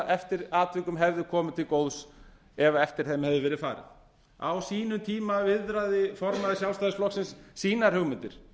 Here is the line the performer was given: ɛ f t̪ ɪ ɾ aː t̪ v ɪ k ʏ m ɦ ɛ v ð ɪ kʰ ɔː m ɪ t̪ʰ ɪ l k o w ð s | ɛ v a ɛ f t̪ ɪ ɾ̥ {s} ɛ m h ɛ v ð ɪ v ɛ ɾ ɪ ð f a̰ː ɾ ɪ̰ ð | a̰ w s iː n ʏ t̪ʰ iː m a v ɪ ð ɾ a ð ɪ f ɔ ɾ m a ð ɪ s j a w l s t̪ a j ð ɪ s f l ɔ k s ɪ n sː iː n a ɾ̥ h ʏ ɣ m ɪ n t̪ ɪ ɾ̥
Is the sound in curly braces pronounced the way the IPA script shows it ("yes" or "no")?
no